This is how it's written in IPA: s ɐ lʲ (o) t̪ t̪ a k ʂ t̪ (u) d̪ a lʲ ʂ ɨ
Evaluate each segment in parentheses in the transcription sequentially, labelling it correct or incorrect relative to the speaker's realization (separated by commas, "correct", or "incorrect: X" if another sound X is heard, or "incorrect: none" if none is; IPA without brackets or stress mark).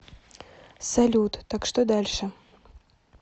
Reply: incorrect: u, incorrect: o